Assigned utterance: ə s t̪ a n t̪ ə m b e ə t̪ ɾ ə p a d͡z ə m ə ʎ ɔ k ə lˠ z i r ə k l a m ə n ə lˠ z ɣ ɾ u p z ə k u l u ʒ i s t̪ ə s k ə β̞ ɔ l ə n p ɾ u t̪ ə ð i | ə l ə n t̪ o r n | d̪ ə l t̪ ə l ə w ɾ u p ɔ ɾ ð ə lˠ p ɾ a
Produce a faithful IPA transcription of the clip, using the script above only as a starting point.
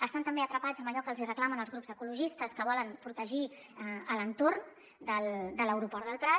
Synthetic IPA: ə s t̪ a n t̪ ə m b e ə t̪ ɾ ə p a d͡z ə m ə ʎ ɔ k ə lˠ z i r ə k l a m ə n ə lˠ z ɣ ɾ u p z ə k u l u ʒ i s t̪ ə s k ə β̞ ɔ l ə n p ɾ u t̪ ə ʒ i | ə l ə n t̪ o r n | d̪ ə l d̪ ə l ə w ɾ u p ɔ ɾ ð ə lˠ p ɾ a